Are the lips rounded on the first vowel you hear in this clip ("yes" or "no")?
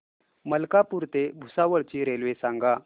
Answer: no